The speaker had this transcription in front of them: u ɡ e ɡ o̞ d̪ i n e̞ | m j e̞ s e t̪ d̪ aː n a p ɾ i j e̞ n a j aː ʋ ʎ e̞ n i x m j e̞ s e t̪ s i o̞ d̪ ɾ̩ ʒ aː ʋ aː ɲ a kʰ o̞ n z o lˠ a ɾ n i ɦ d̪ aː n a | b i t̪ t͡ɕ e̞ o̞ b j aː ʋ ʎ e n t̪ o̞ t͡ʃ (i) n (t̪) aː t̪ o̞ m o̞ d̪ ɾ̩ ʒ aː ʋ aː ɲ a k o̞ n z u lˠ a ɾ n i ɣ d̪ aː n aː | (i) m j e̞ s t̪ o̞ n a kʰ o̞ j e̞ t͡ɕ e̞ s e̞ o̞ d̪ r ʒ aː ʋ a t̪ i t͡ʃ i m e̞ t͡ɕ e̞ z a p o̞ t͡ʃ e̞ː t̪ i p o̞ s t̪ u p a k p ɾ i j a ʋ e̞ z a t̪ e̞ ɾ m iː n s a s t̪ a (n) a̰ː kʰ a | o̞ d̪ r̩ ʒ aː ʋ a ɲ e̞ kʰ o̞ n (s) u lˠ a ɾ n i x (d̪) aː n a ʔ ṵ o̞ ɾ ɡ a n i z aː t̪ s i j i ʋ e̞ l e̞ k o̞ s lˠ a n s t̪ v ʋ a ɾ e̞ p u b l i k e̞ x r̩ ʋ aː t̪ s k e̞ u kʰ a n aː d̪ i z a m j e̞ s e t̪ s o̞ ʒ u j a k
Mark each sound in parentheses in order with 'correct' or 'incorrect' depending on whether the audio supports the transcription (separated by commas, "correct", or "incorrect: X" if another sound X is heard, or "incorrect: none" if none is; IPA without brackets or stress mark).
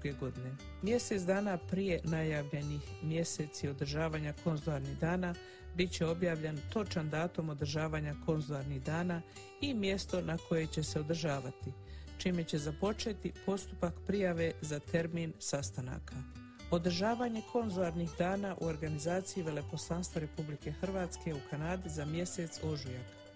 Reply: incorrect: a, incorrect: d̪, correct, correct, incorrect: z, correct